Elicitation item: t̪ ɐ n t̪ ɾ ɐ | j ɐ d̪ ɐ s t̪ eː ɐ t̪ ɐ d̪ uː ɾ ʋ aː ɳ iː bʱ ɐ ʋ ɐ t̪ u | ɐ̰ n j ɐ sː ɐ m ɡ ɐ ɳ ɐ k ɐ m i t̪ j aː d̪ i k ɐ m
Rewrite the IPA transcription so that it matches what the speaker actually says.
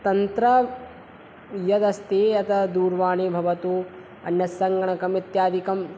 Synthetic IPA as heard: t̪ ɐ n t̪ ɾ ɐ | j ɐ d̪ ɐ s t̪ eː ɐ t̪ ɐ d̪ uː ɾ ʋ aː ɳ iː bʱ ɐ ʋ ɐ t̪ u | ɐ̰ n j ɐ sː ɐ ŋ ɡ ɐ ɳ ɐ k ɐ m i t̪ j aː d̪ i k ɐ m